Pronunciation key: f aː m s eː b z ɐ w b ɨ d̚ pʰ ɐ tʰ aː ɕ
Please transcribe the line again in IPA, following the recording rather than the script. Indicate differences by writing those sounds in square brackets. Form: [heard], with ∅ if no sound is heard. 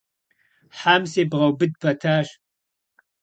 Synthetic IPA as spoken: [ħ] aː m s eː b [ʁ] ɐ w b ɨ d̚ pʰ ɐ tʰ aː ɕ